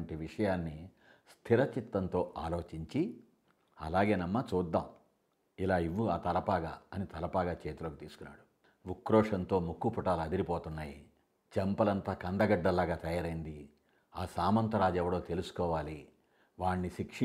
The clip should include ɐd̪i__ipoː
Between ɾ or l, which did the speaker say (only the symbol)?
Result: ɾ